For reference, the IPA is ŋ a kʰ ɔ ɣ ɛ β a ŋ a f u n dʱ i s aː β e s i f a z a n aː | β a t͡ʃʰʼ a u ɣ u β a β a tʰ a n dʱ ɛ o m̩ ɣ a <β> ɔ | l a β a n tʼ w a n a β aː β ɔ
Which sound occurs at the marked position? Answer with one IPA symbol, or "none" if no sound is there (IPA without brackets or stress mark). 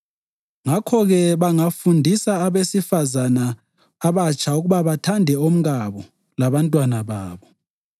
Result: β